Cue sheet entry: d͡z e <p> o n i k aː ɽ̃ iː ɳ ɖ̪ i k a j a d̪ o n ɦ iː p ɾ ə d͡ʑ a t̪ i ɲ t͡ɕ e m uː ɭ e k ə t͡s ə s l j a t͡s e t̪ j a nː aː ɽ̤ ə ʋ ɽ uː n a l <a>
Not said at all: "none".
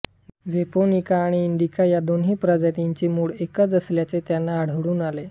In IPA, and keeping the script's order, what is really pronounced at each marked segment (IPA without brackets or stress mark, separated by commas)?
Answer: p, e